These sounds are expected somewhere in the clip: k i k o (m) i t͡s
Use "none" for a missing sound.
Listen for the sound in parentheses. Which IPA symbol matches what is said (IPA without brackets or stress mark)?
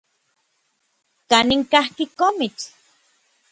m